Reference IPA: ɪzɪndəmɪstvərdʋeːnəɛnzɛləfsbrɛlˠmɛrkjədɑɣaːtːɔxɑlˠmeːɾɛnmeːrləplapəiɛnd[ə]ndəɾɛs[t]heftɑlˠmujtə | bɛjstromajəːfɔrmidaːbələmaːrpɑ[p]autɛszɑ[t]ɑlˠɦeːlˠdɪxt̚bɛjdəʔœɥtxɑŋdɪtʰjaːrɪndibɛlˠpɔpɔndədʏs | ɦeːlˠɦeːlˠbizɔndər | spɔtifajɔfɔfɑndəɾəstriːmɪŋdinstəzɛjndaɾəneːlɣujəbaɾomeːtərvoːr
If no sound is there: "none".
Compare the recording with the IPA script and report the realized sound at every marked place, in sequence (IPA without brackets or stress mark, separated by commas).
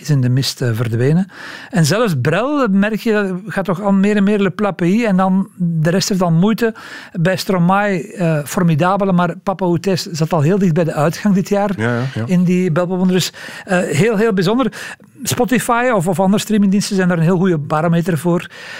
ɑ, t, p, t